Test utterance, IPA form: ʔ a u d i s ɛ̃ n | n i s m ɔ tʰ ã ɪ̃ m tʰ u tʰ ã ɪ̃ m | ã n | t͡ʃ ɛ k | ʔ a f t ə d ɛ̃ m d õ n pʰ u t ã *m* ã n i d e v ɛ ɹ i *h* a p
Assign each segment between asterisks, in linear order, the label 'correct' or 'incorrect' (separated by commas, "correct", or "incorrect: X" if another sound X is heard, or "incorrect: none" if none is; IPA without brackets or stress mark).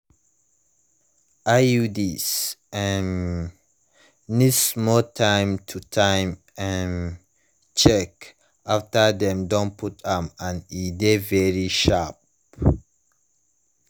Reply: correct, incorrect: ʃ